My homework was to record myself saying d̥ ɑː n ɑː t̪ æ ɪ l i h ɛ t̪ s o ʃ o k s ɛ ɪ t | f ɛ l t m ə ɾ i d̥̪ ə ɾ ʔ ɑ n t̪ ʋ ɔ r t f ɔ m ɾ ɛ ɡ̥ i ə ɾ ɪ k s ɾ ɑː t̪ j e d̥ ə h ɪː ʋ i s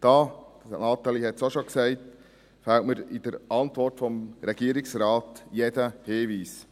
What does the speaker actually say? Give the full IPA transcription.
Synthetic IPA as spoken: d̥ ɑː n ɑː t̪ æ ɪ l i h ɛ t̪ s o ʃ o k s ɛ ɪ t | f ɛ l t m ə ɾ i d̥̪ ə ɾ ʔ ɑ n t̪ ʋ ɔ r t f ɔ m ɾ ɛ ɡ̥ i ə ɾ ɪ k s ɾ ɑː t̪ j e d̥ ə h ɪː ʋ iː s